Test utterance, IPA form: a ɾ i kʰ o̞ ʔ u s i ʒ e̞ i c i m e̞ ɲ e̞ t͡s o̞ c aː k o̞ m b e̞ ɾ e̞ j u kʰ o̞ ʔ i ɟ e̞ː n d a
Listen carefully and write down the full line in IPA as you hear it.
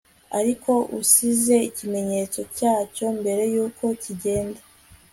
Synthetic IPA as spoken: a ɾ i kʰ o̞ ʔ u s i z e̞ i c i m e̞ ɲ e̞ t͡s o̞ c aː c o̞ m b e̞ ɾ e̞ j uː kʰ o̞ c i ɟ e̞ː n d a